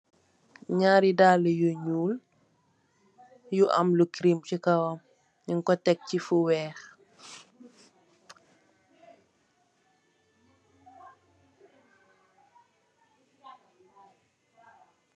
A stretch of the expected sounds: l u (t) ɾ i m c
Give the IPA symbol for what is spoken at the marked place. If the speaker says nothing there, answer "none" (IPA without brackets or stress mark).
k